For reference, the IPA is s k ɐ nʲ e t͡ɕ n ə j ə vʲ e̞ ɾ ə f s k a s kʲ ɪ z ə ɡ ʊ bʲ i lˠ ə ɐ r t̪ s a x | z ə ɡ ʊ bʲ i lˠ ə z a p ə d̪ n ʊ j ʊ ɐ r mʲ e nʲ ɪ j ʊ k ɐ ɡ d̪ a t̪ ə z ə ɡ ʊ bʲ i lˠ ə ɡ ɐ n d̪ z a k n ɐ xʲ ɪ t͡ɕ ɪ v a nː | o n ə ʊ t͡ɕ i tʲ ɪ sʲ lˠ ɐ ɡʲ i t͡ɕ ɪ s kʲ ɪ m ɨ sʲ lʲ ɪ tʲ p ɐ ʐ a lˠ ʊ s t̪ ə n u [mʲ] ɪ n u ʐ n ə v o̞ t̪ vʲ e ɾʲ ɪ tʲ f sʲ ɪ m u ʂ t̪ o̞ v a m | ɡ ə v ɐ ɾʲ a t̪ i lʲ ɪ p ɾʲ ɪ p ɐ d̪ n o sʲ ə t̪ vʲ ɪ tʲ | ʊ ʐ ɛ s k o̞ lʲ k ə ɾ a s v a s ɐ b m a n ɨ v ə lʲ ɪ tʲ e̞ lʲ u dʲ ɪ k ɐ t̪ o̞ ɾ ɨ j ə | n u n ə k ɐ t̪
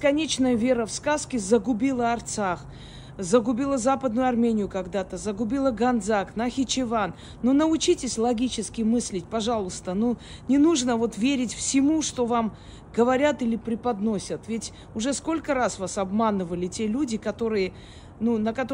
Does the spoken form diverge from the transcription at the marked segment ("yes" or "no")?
yes